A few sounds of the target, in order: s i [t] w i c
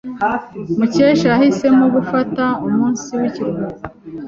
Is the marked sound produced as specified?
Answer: no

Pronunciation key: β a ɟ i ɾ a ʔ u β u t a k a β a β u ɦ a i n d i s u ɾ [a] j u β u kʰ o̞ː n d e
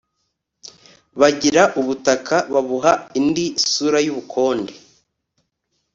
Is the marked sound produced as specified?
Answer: yes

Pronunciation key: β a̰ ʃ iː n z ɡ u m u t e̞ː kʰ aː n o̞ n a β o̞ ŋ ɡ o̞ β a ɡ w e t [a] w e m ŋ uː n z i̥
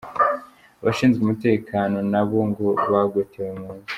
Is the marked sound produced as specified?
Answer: no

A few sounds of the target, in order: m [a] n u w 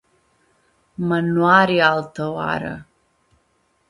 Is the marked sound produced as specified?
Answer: yes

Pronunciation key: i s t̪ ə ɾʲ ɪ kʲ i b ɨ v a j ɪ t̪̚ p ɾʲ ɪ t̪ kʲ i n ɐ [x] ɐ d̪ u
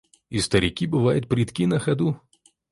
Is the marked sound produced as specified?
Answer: yes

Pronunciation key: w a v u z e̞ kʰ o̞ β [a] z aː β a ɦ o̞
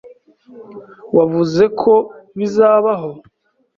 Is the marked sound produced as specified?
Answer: no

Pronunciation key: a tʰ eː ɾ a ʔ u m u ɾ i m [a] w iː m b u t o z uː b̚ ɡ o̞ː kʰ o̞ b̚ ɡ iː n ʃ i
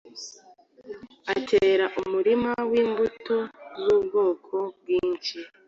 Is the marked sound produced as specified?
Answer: yes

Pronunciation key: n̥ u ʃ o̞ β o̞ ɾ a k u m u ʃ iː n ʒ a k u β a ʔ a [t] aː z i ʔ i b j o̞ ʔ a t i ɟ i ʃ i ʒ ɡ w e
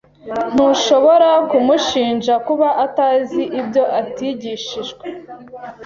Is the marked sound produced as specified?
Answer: yes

